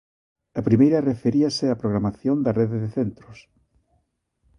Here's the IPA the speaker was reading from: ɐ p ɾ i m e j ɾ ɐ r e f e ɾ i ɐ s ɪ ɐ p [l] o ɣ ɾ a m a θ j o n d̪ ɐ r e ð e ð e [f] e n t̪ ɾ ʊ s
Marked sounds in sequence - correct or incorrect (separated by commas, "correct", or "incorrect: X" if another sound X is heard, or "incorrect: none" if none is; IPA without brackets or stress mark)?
incorrect: ɾ, incorrect: θ